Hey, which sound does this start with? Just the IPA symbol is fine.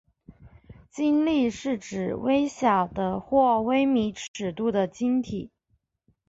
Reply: t͡ɕ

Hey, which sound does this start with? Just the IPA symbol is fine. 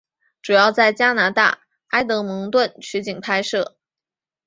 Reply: ʈ͡ʂ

